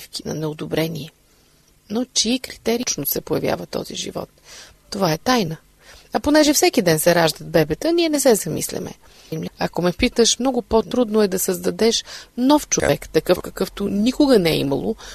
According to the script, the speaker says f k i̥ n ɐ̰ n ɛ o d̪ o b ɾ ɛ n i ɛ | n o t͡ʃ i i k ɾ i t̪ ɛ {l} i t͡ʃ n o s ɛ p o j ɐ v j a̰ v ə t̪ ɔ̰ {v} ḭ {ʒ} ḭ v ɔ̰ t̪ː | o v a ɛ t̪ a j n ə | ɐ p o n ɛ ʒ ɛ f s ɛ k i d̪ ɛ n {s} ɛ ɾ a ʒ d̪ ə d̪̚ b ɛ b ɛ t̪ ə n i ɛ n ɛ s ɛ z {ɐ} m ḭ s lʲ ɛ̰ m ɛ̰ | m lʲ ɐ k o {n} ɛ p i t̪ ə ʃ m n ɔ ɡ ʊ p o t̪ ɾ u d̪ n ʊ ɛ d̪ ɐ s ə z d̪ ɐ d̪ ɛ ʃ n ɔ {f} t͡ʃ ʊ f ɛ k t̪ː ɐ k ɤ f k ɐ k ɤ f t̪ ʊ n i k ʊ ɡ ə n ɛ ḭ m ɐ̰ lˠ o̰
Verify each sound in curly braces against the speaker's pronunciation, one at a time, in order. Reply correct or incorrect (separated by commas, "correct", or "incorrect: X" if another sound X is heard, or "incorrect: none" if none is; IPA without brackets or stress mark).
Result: incorrect: ɾ, incorrect: z, correct, correct, correct, incorrect: m, correct